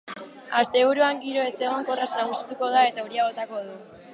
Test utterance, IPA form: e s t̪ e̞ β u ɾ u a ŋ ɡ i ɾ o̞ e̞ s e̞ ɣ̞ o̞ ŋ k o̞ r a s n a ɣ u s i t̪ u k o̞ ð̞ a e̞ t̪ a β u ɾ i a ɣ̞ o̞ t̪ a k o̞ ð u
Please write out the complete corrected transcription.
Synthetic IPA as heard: a s t̪ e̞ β u ɾ u a ŋ ɡ i ɾ o̞ e̞ s e̞ ɣ̞ o̞ ŋ k o̞ r a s n a ɣ u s i t̪ u k o̞ ð̞ a e̞ t̪ a u ɾ i a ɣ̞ o̞ t̪ a k o̞ ð u